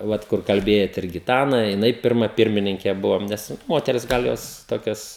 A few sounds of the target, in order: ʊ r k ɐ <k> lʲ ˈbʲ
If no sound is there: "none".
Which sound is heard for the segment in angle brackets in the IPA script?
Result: none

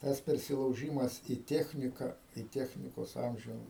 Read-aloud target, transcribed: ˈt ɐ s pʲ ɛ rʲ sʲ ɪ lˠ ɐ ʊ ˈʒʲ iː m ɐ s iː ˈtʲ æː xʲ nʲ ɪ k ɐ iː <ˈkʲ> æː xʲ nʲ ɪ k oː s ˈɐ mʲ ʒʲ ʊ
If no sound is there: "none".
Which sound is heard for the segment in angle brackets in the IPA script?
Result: tʲ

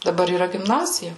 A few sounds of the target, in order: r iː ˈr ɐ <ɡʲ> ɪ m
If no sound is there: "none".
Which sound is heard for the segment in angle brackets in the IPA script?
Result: ɡʲ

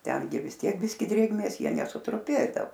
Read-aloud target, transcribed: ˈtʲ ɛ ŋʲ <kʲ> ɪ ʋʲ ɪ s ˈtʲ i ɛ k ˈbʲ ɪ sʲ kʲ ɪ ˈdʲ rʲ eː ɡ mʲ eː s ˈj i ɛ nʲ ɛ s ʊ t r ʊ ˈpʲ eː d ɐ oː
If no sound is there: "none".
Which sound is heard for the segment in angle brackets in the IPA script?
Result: ɡʲ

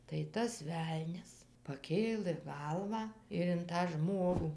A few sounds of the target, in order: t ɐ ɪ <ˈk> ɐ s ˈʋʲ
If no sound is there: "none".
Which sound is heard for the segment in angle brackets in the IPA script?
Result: t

